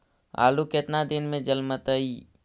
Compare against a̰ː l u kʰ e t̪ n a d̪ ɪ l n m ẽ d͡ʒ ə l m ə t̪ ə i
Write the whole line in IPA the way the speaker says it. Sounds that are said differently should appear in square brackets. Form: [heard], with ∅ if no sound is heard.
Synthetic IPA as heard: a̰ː l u [k] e t̪ n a d̪ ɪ [∅] n m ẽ d͡ʒ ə l m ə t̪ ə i